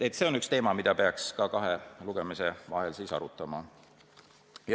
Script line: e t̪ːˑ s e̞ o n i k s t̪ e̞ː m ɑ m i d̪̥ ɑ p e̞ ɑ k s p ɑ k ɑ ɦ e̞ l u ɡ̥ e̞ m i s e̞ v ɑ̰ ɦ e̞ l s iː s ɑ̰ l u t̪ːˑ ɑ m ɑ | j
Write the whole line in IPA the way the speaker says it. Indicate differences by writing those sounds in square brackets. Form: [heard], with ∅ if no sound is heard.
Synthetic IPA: e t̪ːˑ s e̞ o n [y] k s t̪ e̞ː m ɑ m i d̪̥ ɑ p e̞ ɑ k s [k] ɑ k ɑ ɦ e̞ l u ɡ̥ e̞ m i s e̞ v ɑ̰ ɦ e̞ l s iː s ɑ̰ [ɾ] u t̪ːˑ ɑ m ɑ | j